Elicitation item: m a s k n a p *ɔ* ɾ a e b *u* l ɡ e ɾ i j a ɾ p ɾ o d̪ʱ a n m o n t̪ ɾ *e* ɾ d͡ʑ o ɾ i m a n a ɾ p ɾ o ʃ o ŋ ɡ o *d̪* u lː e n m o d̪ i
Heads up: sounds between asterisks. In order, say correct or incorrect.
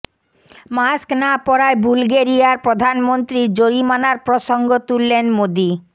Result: correct, correct, incorrect, incorrect

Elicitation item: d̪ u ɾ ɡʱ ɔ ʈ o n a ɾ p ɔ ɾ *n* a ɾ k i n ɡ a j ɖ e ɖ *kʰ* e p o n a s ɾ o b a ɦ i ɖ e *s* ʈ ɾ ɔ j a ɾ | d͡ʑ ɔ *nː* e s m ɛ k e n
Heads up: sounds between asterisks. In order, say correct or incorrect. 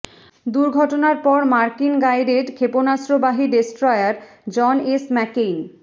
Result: incorrect, correct, correct, incorrect

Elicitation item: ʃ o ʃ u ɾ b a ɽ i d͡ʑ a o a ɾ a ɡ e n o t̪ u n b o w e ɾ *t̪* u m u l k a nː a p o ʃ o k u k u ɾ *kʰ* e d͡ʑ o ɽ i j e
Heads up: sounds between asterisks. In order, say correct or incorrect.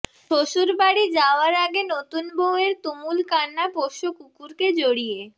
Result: correct, incorrect

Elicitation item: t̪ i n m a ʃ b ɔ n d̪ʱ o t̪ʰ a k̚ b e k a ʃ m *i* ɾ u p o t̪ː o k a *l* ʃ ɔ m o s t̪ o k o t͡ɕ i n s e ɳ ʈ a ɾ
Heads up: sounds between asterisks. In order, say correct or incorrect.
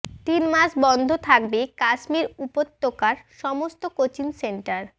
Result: correct, incorrect

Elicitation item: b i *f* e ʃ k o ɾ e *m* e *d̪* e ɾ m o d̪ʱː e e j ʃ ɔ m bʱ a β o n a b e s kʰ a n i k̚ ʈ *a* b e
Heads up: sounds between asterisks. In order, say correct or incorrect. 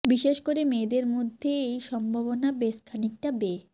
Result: incorrect, correct, correct, correct

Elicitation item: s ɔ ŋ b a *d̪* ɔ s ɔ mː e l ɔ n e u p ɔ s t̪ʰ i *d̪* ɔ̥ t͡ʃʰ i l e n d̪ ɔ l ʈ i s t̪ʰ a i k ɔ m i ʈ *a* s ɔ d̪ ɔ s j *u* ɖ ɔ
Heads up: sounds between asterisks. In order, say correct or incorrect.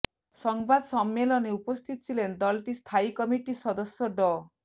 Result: correct, incorrect, incorrect, incorrect

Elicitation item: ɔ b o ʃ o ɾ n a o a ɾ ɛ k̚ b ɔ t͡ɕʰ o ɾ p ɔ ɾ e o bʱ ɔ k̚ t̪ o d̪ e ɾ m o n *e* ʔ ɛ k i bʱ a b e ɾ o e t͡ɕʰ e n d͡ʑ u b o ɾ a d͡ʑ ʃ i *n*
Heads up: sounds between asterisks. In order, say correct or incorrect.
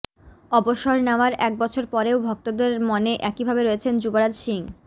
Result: correct, incorrect

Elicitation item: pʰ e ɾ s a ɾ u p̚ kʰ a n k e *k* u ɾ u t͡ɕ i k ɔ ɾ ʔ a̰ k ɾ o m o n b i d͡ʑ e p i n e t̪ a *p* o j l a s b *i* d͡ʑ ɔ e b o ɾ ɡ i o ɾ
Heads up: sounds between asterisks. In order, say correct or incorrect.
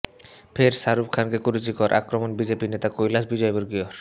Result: correct, incorrect, correct

